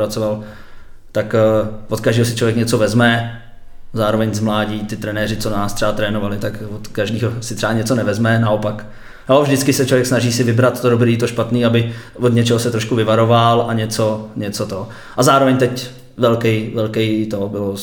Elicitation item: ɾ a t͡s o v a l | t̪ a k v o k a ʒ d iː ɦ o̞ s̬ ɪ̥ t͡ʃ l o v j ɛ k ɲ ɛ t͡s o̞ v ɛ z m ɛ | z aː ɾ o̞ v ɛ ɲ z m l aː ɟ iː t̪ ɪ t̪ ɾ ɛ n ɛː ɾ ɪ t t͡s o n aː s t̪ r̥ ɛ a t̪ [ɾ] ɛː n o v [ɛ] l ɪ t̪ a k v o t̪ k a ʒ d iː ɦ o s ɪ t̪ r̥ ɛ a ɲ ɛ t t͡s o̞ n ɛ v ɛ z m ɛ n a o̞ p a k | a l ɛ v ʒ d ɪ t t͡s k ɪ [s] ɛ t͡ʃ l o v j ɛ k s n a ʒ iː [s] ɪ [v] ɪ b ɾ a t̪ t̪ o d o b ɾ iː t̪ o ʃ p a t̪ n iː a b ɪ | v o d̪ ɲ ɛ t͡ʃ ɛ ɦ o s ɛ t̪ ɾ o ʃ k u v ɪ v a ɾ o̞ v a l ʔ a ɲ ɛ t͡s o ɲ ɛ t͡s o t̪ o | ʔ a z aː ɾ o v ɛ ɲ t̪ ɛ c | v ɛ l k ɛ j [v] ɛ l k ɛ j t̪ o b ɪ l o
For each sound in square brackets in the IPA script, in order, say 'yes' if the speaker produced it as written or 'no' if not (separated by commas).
yes, no, yes, yes, yes, yes